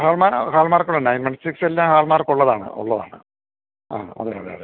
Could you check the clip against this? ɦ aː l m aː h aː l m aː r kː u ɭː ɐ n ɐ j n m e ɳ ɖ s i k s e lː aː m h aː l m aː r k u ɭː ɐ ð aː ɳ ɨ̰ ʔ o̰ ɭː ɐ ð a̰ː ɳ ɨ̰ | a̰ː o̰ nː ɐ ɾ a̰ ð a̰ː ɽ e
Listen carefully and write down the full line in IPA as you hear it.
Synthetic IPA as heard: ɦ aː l m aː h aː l m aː r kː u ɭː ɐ n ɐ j n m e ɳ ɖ s i k s e lː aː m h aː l m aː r k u ɭː ɐ ð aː ɳ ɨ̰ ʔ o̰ ɭː ɐ ð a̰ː ɳ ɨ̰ | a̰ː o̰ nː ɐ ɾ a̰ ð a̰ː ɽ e

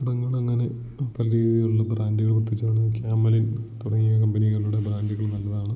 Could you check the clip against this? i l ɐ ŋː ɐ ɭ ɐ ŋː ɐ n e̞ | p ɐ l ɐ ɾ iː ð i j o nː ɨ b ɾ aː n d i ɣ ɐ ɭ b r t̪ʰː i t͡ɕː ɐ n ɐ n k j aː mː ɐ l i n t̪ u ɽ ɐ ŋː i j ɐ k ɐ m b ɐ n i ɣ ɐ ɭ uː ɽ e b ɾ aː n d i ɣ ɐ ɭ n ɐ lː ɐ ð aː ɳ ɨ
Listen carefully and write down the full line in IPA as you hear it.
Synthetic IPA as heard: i ɽ ɐ ŋː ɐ ɭ ɐ ŋː ɐ n e̞ | p ɐ l ɐ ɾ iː ð i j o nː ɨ b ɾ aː n d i ɣ ɐ ɭ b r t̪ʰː i t͡ɕː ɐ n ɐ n k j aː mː ɐ l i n t̪ u ɽ ɐ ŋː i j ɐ k ɐ m b ɐ n i ɣ ɐ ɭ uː ɽ e b ɾ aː n d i ɣ ɐ ɭ n ɐ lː ɐ ð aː ɳ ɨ

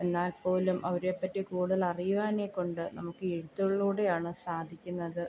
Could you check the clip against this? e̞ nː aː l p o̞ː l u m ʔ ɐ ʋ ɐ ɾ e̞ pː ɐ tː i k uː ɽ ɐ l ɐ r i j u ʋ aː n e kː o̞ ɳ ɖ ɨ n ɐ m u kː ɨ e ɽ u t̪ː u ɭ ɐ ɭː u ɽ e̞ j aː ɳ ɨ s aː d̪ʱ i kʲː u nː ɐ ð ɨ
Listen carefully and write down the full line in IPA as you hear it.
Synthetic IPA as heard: e̞ nː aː l p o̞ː l u m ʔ ɐ ʋ ɐ ɾ e̞ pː ɐ tː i k uː ɽ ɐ l ɐ r i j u ʋ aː n e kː o̞ ɳ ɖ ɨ n ɐ m u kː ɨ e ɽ u t̪ː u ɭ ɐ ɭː uː ɽ e̞ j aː ɳ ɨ s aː d̪ʱ i kʲː u nː ɐ ð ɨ

